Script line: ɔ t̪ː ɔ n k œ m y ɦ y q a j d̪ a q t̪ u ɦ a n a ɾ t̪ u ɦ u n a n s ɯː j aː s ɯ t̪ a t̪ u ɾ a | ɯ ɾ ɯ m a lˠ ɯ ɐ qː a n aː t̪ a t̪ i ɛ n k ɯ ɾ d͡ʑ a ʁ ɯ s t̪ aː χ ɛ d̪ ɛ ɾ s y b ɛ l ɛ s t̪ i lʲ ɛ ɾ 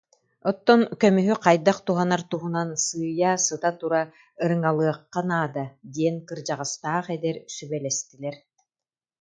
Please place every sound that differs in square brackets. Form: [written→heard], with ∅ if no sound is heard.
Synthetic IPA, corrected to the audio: ɔ t̪ː ɔ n k œ m y ɦ y q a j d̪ a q t̪ u ɦ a n a ɾ t̪ u ɦ u n a n s ɯː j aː s ɯ t̪ a t̪ u ɾ a | ɯ ɾ ɯ [m→ŋ] a lˠ ɯ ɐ qː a n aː [t̪→d̪] a [t̪→d̪] i ɛ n k ɯ ɾ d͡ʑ a ʁ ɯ s t̪ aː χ ɛ d̪ ɛ ɾ s y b ɛ l ɛ s t̪ i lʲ ɛ ɾ